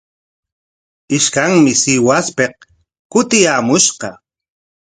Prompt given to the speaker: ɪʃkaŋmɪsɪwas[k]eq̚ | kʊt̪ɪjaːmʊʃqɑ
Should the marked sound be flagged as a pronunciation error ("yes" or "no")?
yes